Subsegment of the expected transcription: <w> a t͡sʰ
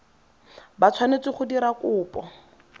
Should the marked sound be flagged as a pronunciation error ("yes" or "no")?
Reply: yes